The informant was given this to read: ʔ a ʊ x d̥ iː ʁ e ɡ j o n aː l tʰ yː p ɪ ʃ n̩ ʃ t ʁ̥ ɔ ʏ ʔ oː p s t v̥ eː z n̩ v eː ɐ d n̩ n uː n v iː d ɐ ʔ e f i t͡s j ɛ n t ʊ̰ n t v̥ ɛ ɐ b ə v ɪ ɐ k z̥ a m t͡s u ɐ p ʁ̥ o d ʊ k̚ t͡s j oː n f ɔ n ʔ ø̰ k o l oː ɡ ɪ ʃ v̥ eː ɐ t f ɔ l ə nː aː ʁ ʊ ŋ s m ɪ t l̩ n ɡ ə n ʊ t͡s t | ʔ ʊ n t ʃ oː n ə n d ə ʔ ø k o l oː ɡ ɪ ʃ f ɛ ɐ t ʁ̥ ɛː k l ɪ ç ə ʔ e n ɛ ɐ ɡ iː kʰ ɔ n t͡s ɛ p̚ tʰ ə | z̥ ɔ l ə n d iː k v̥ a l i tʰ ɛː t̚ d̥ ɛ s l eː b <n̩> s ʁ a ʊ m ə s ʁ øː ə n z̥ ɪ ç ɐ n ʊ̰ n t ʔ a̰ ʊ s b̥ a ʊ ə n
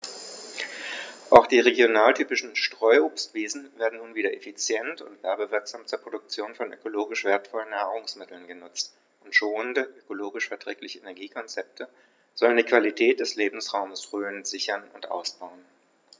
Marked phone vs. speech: incorrect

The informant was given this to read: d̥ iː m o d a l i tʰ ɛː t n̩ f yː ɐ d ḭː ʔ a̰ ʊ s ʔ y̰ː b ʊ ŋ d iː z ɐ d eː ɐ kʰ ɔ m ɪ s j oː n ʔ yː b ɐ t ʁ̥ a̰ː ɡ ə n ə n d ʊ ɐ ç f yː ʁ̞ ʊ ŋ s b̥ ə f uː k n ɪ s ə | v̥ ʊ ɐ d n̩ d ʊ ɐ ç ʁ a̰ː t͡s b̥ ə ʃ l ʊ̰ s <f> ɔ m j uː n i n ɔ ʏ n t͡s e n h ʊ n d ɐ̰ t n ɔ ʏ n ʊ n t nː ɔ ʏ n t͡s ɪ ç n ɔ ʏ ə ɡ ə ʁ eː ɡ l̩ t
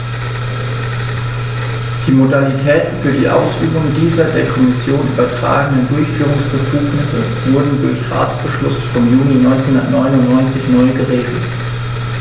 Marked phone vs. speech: correct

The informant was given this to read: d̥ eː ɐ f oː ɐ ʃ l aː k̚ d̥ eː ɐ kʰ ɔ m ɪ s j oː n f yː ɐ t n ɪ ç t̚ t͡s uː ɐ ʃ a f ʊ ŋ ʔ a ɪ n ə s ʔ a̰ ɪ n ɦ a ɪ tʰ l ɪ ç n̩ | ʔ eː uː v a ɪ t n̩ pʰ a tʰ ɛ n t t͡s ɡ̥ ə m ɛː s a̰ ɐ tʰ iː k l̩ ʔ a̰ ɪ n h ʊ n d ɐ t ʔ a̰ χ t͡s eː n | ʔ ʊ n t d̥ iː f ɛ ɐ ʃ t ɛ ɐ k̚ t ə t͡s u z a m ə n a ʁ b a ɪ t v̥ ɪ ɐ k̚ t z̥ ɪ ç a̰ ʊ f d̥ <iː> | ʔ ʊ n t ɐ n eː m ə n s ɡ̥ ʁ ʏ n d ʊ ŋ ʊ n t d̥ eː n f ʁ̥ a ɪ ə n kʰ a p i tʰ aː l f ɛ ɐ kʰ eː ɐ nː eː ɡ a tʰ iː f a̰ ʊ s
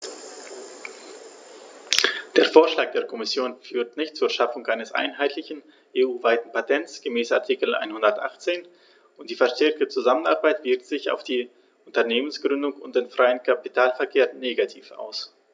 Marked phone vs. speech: correct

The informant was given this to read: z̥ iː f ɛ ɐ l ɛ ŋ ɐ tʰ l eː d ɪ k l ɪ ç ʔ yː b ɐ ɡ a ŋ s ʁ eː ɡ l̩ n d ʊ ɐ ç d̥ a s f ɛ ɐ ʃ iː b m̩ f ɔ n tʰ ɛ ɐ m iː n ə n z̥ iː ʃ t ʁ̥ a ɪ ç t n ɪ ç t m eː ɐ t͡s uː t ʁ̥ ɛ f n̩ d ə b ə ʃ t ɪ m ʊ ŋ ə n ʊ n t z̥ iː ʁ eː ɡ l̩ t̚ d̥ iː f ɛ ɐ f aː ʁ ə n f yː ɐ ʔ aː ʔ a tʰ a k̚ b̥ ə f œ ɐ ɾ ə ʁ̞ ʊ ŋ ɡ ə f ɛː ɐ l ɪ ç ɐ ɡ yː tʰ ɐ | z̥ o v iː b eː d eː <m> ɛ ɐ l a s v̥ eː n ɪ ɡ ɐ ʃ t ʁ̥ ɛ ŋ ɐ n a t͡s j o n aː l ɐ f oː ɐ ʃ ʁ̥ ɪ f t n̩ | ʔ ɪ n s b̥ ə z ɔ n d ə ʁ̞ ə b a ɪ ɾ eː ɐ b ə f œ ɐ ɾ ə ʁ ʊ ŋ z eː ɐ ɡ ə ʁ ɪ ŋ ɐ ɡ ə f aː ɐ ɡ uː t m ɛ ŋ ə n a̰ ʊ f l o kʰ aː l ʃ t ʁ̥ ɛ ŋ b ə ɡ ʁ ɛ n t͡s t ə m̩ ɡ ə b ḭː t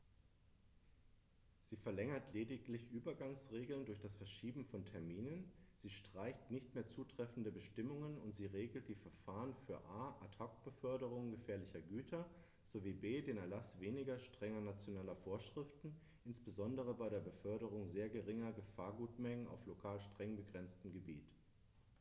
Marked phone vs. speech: incorrect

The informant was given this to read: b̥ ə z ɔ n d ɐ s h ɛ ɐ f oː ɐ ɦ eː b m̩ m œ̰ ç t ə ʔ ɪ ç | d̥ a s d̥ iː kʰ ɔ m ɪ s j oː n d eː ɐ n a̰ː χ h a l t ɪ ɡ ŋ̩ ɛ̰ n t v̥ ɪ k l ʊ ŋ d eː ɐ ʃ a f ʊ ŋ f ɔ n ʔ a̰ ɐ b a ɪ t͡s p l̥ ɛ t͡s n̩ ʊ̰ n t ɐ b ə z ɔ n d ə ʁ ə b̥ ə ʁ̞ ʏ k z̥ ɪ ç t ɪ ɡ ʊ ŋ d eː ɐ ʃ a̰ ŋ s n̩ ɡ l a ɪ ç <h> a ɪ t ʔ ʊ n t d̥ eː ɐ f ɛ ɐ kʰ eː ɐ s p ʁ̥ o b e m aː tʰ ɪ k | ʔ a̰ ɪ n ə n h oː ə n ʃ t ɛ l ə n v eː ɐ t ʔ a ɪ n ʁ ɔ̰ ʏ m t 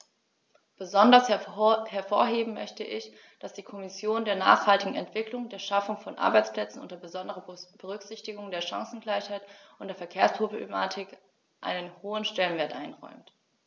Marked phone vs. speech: correct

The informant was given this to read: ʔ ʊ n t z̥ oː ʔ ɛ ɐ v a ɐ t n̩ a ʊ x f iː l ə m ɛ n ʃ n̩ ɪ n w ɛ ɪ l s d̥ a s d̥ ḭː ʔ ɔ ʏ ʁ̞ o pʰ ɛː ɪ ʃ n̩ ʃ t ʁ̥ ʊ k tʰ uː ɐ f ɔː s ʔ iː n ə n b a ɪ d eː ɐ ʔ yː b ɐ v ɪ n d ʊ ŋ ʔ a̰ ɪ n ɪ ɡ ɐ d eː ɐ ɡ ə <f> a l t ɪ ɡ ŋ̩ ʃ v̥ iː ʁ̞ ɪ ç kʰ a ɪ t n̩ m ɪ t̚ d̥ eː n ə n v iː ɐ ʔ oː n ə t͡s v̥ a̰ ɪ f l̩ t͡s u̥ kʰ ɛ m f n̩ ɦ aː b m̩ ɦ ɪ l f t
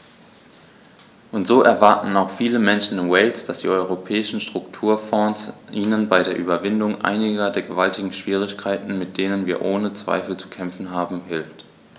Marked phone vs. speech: incorrect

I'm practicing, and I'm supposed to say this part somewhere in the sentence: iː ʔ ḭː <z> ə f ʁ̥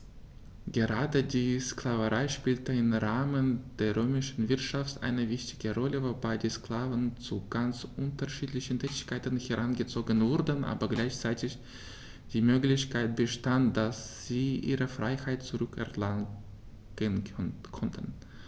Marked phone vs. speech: incorrect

